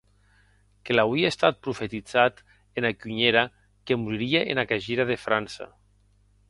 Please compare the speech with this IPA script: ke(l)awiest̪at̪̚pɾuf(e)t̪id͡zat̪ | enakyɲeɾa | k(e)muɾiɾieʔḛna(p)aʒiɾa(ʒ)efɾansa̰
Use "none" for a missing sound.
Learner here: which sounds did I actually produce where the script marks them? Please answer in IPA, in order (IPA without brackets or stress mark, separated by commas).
l, e, e, k, ð